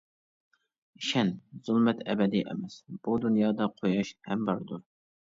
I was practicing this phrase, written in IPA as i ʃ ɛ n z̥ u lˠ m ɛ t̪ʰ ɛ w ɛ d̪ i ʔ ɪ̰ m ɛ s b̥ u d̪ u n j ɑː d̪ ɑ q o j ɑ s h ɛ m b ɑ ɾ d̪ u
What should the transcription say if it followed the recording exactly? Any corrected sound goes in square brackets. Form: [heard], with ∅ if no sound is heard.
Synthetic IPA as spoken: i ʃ ɛ n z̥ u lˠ m ɛ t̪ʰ ɛ [b] ɛ d̪ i ʔ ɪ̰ m ɛ s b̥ u d̪ u n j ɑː d̪ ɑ [qʰ] o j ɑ [ʃ] h ɛ m b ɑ ɾ d̪ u